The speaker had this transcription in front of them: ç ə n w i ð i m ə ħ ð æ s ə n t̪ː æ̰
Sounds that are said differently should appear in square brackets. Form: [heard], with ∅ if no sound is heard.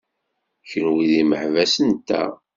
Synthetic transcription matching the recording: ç ə n w i ð i m ə ħ [v] æ s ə n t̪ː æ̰